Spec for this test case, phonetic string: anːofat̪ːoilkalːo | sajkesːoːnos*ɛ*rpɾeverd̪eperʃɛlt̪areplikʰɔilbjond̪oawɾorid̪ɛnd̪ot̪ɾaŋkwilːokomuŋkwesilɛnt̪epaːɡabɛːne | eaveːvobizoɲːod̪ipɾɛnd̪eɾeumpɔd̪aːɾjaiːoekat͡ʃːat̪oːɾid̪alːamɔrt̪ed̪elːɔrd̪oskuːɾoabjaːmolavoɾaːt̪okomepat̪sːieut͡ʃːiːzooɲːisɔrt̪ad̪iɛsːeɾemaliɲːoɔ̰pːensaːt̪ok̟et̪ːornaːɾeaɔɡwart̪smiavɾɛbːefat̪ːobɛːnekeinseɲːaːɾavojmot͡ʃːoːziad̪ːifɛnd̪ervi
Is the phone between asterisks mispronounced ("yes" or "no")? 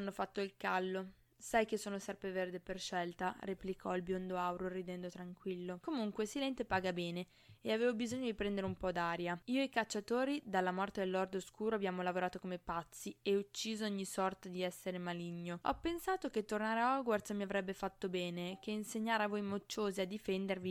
no